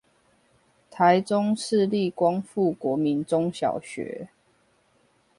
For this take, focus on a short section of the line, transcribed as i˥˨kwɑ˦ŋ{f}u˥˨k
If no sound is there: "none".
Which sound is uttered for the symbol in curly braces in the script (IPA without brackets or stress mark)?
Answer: f